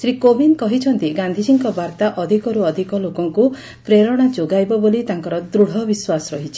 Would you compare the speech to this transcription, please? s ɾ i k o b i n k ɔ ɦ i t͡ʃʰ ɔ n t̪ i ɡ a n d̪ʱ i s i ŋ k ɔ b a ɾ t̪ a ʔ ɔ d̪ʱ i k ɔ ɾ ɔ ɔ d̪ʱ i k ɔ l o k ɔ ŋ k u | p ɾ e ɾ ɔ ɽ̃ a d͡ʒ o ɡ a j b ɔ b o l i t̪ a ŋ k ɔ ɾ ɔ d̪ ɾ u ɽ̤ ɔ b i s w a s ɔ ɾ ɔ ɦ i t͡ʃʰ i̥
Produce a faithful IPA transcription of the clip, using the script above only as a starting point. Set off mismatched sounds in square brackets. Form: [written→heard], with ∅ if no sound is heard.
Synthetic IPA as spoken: s ɾ i k o b i n k ɔ ɦ i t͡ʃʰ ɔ n t̪ i ɡ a n d̪ʱ i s i ŋ k ɔ b a ɾ t̪ a ʔ ɔ d̪ʱ i k ɔ ɾ [ɔ→u] ɔ d̪ʱ i k ɔ l o k ɔ ŋ k u | p ɾ e ɾ ɔ ɽ̃ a d͡ʒ o ɡ a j b ɔ b o l i t̪ a ŋ k ɔ ɾ ɔ d̪ ɾ u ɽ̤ ɔ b i s w a s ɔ ɾ ɔ ɦ i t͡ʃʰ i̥